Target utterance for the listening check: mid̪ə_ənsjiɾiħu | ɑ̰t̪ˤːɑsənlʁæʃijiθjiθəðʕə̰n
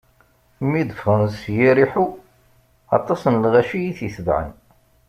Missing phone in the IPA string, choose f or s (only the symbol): f